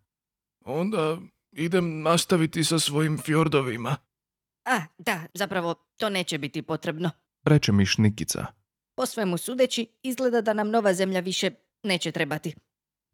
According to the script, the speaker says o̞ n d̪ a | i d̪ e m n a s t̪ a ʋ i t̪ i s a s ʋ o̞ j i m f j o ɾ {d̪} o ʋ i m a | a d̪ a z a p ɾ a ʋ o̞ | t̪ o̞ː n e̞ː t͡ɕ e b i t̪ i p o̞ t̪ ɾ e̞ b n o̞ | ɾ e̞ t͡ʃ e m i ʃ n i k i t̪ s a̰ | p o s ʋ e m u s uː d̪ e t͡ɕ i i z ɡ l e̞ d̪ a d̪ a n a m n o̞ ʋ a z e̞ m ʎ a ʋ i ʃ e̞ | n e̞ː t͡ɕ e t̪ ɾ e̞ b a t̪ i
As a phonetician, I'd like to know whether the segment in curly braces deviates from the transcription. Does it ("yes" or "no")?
no